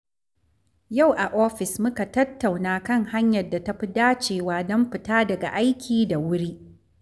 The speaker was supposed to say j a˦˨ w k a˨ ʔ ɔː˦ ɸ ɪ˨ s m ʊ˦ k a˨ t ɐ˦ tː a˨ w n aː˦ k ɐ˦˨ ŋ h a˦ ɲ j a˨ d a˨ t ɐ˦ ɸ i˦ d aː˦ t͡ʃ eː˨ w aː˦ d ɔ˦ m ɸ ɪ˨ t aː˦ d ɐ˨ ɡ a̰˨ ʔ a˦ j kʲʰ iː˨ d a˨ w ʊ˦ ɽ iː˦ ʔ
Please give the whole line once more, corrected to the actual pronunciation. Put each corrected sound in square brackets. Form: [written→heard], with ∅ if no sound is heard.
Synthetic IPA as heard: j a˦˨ w [k→ʔ] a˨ ʔ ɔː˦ ɸ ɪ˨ s m ʊ˦ k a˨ t ɐ˦ tː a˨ w n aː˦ k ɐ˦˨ ŋ h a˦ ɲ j [a˨→ɐ˨] d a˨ t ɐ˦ ɸ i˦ d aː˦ t͡ʃ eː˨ w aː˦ d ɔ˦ m ɸ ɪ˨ t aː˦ d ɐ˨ ɡ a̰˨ ʔ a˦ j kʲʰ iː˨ d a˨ w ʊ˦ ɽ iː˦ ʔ